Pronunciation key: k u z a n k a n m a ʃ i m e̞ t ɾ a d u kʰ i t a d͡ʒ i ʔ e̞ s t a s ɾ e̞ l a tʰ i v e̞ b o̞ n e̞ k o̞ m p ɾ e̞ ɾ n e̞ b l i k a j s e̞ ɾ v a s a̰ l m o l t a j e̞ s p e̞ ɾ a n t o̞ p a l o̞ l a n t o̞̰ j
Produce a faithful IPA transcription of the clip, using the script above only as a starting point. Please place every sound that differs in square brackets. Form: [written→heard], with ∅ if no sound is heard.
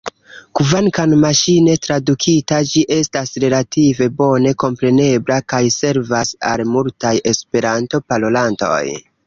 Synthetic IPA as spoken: k u [z→v] a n k a n m a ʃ i [m→n] e̞ t ɾ a d u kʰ i t a d͡ʒ i ʔ e̞ s t a s ɾ e̞ l a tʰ i v e̞ b o̞ n e̞ k o̞ m p ɾ e̞ [ɾ→∅] n e̞ b l [i→a] k a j s e̞ ɾ v a s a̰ l m [o→u] l t a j e̞ s p e̞ ɾ a n t o̞ p a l o̞ l a n t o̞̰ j